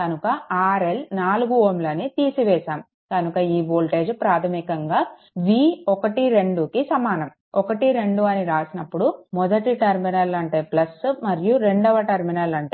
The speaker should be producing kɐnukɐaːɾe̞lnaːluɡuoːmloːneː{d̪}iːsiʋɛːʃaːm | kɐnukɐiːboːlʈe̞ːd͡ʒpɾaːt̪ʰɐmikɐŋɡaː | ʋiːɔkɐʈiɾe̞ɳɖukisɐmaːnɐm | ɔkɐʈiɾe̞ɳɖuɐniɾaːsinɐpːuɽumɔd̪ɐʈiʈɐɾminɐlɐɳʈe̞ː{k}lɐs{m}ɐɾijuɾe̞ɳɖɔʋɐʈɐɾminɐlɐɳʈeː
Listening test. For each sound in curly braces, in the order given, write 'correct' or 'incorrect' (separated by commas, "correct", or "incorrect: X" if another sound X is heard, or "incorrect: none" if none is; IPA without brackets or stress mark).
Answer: incorrect: t̪, incorrect: p, correct